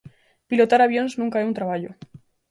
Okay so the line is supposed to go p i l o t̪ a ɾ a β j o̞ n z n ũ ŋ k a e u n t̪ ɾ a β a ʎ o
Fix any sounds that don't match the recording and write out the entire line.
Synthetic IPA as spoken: p i l o t̪ a ɾ a β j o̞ n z n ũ ŋ k a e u n t̪ ɾ a β a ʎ o